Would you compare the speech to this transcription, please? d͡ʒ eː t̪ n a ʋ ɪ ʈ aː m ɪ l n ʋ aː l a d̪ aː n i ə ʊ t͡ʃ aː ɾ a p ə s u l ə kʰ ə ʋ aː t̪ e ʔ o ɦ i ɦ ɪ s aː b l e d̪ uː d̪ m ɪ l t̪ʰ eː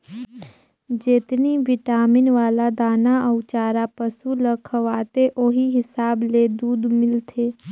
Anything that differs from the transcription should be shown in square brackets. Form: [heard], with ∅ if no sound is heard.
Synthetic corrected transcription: d͡ʒ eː t̪ n [i] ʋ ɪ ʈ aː m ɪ [∅] n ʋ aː l a d̪ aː n [a] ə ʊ t͡ʃ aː ɾ a p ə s u l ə kʰ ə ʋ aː t̪ e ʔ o ɦ i ɦ ɪ s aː b l e d̪ uː d̪ m ɪ l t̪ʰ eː